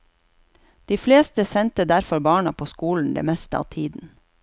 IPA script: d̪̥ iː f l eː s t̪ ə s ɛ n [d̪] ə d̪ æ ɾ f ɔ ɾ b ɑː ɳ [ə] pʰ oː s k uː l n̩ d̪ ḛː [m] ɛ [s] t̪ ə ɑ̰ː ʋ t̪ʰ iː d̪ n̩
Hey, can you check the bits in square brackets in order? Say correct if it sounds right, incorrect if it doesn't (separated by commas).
incorrect, incorrect, correct, correct